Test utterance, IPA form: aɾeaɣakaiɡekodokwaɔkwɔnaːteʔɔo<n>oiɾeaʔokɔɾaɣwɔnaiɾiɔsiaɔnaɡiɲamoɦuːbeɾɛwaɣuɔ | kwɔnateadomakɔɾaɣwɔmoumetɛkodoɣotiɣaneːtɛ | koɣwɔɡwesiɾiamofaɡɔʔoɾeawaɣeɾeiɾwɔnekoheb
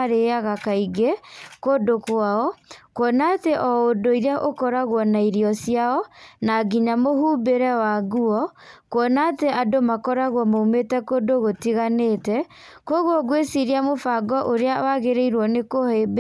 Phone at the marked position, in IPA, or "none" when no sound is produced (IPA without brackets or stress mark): d